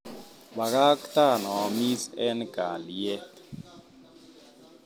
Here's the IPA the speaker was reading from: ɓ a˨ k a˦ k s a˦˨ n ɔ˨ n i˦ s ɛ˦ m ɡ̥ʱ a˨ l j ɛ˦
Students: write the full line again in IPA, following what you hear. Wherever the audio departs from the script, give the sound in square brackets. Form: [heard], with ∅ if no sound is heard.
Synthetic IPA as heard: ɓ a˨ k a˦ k [t] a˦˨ n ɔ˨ [m] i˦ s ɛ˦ [n] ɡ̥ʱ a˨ l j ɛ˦

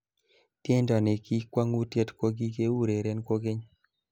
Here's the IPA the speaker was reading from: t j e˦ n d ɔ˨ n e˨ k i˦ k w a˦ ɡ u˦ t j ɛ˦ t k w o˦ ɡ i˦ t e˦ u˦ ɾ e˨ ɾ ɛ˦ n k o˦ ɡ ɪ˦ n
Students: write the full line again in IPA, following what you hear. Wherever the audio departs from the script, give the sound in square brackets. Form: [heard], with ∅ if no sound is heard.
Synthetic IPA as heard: t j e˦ n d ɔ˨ n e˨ k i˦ k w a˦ [ŋ] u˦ t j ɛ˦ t k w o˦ ɡ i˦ [k] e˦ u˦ ɾ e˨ ɾ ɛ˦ n k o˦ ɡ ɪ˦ [ɲ]

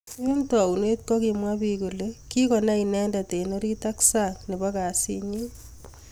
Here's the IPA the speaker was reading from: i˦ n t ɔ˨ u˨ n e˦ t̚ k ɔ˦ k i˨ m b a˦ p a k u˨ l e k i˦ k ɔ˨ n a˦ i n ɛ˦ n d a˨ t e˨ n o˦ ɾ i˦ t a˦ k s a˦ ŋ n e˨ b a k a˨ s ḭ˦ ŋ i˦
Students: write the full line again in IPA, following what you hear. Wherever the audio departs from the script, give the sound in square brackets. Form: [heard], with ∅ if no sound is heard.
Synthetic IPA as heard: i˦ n t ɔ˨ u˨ n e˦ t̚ k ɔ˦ k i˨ m [w] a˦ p [i] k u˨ l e k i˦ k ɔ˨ n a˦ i n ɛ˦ n d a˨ t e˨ n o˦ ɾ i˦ t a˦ k s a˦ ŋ n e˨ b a k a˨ s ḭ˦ [ɲ] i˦

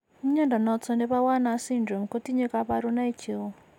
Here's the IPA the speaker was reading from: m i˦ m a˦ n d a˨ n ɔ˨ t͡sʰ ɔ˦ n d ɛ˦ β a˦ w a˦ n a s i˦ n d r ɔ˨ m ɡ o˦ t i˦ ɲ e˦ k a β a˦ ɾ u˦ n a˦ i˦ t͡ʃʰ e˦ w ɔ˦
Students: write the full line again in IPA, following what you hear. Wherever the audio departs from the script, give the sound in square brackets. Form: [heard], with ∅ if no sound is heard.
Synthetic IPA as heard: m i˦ [ɲ] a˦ n d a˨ n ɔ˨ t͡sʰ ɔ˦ n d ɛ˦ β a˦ w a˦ n a s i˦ n d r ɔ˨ m [k] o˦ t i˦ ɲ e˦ k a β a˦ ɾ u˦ n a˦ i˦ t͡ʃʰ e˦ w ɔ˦

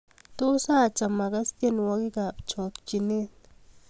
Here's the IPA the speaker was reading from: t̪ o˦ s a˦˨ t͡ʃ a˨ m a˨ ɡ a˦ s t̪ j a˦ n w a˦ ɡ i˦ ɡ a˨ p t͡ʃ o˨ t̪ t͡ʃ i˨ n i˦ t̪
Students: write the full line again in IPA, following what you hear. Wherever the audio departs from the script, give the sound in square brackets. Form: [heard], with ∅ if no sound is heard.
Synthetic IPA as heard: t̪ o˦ s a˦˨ t͡ʃ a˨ m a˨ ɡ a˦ s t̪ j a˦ n w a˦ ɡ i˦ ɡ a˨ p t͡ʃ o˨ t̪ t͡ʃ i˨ n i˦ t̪

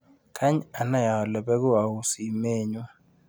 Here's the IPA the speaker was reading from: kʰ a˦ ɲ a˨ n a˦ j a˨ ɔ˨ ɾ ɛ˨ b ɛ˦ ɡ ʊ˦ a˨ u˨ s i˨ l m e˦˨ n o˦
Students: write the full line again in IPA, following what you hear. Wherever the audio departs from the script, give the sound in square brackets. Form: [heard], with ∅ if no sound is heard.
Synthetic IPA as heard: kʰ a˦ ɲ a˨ n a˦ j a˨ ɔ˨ [l] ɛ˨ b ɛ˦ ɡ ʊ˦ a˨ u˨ s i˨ [∅] m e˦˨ [ɲ] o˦

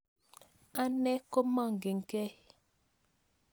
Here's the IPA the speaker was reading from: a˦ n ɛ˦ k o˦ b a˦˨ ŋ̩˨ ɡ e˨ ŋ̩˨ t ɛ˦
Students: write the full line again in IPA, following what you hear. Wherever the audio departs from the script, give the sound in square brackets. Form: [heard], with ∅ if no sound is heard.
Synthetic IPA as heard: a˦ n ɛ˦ k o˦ [m] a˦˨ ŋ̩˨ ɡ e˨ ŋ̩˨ [k] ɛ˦

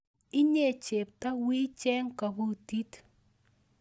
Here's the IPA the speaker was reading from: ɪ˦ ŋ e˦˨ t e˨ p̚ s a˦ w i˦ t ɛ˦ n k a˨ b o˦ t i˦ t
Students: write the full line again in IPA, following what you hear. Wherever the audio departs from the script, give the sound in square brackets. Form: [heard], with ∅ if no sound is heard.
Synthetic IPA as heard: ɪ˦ [ɲ] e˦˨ [t͡ʃ] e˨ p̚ [t] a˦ w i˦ [t͡ʃ] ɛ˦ [ŋ] k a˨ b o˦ t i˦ t

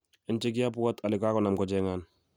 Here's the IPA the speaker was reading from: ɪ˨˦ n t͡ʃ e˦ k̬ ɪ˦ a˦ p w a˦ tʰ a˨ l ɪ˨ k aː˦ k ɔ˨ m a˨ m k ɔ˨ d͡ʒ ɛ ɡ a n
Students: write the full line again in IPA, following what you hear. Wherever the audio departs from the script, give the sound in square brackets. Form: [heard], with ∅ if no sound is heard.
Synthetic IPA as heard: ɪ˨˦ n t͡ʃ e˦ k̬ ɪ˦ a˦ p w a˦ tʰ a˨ l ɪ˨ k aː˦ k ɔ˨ [n] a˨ m k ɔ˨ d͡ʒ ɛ [ŋ] a n

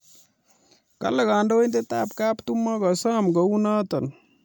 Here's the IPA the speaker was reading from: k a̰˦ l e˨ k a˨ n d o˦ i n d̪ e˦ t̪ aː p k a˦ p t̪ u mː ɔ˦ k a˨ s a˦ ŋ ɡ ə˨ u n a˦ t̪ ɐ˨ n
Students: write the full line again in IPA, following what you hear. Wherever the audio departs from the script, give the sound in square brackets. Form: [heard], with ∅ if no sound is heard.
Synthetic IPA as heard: k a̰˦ l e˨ k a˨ n d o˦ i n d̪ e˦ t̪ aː p k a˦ p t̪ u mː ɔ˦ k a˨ s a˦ [m] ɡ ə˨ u n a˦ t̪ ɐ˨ n

